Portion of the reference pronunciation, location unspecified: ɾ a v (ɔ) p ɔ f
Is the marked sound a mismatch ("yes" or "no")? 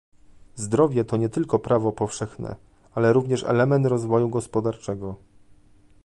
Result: no